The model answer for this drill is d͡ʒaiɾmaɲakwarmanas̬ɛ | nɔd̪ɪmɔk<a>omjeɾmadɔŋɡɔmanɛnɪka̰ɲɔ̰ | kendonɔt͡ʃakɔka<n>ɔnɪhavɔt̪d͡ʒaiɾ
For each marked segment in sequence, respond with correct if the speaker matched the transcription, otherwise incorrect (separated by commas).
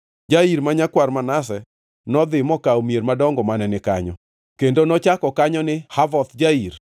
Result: correct, incorrect